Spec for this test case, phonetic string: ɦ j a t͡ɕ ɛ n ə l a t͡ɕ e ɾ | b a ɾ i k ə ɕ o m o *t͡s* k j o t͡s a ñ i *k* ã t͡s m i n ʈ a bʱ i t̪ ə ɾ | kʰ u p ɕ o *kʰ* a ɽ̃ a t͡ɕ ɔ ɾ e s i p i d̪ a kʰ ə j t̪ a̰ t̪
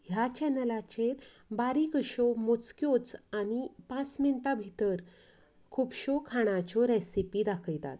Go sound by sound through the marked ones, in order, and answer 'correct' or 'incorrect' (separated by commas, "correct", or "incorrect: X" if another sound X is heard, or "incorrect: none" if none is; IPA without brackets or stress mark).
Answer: correct, incorrect: p, correct